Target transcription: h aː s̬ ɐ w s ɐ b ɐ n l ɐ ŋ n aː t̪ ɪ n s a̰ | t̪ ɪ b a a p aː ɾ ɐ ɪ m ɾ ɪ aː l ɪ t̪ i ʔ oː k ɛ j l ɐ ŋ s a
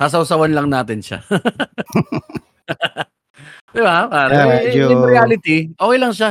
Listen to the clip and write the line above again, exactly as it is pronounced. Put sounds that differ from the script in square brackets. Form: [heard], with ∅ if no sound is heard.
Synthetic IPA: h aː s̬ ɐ w s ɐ [w] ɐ n l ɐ ŋ n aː t̪ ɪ n [ʃ] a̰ | [d̪] ɪ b a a p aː ɾ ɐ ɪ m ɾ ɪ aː l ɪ t̪ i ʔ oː k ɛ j l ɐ ŋ [ʃ] a